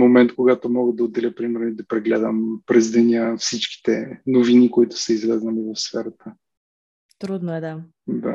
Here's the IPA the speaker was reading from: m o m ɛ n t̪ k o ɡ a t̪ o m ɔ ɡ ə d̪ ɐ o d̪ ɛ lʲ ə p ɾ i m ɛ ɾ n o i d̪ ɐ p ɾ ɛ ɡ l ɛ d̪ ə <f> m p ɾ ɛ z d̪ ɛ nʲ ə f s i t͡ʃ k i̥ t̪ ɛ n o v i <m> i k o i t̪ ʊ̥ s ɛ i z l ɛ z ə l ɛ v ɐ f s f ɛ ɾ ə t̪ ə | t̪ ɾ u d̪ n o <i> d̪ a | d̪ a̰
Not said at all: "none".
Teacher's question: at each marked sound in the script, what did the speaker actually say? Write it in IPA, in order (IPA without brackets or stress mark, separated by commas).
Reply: none, n, ɛ